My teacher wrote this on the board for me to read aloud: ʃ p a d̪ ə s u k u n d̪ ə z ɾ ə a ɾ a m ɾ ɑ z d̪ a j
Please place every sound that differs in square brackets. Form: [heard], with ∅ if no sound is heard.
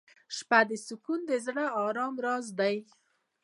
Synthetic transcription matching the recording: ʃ p a d̪ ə s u k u n d̪ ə z [ɽ] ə [ɑ] ɾ [ɑ] m ɾ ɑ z d̪ a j